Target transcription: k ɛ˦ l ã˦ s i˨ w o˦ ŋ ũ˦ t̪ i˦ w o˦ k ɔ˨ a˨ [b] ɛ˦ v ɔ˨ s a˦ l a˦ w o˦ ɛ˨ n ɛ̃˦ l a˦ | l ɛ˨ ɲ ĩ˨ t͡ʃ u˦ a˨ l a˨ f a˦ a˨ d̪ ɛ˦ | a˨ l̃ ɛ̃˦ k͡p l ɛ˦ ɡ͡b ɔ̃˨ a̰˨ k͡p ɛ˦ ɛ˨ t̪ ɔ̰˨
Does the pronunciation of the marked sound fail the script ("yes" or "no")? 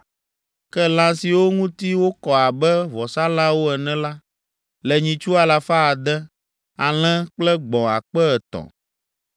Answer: no